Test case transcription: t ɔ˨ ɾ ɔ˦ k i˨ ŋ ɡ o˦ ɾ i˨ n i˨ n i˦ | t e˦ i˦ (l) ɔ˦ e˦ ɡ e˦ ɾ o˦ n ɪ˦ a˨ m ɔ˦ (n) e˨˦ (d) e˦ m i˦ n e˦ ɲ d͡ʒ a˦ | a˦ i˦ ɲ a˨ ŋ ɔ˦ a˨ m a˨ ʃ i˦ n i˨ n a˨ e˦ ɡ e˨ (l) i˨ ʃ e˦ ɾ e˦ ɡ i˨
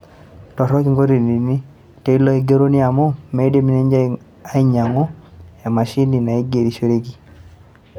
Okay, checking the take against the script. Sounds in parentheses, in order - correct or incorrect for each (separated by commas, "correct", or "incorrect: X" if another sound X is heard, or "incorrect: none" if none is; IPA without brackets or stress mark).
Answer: correct, incorrect: m, correct, incorrect: ɾ